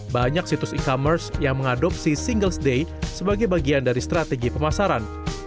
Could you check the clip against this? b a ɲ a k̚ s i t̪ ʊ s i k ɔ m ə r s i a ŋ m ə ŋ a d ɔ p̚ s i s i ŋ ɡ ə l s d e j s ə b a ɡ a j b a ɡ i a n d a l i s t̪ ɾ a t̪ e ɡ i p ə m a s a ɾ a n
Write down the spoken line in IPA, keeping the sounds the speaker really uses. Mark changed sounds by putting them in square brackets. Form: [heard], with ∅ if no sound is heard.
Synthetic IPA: b a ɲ a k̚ s i t̪ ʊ s i k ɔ m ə r s [j] a ŋ m ə ŋ a d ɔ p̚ s i s i ŋ ɡ ə l s d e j s ə b a ɡ a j b a ɡ i a n d a [ɾ] i s t̪ ɾ a t̪ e ɡ i p ə m a s a ɾ a n